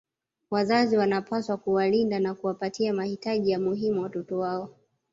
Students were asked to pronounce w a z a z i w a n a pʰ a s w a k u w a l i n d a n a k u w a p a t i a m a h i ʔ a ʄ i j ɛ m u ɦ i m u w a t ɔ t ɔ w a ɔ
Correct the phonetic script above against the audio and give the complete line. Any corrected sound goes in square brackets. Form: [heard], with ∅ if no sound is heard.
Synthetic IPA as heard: w a z a z i w a n a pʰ a s w a k u w a l i n d a n a k u w a p a t i a m a h i [t] a ʄ i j [a] m u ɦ i m u w a t ɔ t ɔ w a ɔ